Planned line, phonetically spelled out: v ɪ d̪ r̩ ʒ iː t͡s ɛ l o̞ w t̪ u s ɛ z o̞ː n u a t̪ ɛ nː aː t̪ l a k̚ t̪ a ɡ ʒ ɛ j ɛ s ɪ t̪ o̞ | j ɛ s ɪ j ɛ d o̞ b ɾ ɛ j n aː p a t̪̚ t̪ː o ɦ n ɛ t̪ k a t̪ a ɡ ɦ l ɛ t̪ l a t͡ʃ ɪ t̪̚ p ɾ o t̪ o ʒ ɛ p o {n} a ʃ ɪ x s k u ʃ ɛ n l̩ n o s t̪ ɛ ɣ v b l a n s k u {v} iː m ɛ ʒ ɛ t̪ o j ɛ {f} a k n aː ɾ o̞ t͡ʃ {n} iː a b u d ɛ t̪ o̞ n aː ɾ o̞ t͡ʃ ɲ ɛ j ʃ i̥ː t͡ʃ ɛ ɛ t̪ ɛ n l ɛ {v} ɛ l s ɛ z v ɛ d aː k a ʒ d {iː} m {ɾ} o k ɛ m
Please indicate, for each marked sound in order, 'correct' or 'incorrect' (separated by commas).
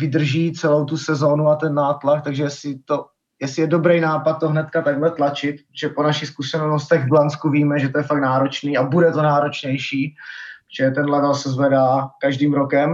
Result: correct, correct, correct, correct, correct, correct, correct